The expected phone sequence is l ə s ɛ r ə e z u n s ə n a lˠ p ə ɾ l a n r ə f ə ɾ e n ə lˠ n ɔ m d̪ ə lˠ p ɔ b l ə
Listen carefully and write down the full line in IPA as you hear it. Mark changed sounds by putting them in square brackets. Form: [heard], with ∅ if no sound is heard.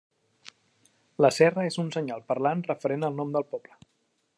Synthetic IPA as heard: l ə s ɛ r ə e z u n s ə [ɲ] a lˠ p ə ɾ l a n r ə f ə ɾ e n ə lˠ n ɔ m d̪ ə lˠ p ɔ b l ə